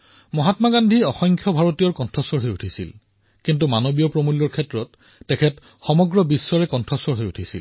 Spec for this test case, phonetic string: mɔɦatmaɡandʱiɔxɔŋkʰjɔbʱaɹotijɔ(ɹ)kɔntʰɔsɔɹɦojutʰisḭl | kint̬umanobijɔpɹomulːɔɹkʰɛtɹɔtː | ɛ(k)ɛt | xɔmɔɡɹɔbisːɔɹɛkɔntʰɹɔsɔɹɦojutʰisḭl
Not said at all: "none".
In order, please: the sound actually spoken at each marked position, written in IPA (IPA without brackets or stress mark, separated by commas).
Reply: ɹ, kʰ